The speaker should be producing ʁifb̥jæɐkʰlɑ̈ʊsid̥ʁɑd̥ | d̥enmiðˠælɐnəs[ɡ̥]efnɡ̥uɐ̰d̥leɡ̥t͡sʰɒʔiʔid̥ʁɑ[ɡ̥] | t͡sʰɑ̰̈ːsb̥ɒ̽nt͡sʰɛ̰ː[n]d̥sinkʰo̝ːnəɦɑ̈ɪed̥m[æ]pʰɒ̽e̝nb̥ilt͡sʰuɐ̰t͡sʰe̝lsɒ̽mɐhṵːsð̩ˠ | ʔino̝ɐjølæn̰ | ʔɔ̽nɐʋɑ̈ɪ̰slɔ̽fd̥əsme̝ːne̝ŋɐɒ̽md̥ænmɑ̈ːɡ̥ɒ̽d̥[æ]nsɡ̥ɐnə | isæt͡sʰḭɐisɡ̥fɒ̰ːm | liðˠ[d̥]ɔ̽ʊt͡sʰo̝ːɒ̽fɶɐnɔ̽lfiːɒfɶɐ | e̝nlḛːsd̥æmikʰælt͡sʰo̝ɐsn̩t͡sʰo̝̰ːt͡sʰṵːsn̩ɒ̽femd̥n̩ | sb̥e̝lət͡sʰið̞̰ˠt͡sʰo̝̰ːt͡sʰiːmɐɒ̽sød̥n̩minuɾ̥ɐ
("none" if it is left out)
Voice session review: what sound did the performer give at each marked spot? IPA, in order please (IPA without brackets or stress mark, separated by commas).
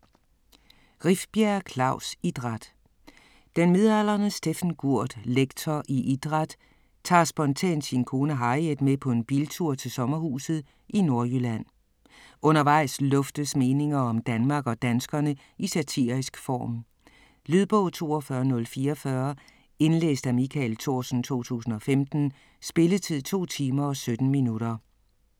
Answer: d̥, d̥, n, e, æ, b̥